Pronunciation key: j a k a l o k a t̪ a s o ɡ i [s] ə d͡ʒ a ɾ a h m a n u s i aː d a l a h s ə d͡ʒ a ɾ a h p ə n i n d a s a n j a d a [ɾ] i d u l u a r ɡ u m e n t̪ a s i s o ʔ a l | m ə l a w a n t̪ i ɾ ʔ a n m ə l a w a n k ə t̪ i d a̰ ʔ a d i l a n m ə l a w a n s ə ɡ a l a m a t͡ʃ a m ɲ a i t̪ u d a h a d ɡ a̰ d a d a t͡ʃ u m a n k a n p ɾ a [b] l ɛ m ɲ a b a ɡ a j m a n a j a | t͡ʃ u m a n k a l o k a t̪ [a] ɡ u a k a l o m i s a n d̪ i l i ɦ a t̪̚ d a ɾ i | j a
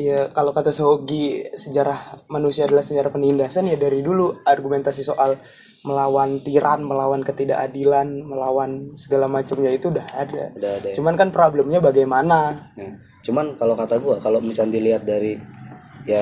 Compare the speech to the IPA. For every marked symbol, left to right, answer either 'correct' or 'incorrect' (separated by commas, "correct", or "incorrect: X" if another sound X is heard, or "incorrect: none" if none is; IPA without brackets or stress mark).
correct, correct, correct, correct